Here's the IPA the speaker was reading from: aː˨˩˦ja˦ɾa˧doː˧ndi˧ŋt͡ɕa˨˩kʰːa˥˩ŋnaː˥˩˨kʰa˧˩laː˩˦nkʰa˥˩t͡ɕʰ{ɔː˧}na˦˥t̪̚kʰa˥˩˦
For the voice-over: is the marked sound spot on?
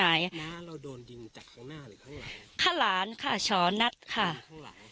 no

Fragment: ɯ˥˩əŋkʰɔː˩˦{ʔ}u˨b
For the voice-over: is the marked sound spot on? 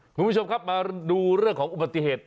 yes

